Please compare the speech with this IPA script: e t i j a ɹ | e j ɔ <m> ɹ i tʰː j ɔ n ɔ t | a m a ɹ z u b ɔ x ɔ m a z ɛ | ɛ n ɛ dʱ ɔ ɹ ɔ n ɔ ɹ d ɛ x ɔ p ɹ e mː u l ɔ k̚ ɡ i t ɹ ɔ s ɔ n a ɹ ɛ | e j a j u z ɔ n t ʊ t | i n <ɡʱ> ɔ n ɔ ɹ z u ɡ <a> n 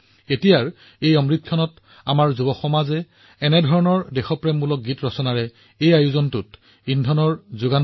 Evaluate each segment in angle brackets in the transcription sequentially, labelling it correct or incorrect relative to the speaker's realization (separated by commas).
correct, incorrect, correct